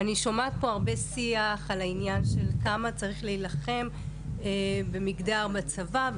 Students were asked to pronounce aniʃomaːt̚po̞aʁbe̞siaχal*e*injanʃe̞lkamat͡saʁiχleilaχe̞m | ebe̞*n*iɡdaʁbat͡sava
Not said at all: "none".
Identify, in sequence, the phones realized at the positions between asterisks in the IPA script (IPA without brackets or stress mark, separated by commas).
a, m